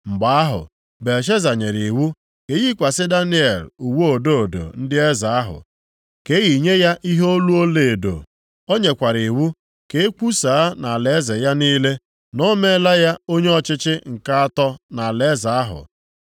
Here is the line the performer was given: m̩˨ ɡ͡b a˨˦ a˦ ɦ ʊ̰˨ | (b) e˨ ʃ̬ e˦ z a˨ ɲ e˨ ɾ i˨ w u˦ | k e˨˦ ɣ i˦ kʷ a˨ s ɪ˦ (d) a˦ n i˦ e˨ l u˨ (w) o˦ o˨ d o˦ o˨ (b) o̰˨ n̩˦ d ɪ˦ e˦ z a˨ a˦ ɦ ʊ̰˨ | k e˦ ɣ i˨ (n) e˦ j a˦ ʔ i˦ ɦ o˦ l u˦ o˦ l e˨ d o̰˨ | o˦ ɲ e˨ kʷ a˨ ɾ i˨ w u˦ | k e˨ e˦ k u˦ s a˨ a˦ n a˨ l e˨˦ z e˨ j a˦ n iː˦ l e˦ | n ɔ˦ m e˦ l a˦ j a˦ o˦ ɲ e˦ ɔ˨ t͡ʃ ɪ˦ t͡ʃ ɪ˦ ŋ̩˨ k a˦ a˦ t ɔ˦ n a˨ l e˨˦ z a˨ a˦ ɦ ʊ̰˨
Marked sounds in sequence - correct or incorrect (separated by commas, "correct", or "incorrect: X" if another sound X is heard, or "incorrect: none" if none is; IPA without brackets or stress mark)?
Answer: correct, correct, correct, incorrect: d, incorrect: ɲ